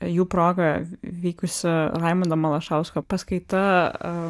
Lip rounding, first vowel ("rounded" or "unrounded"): rounded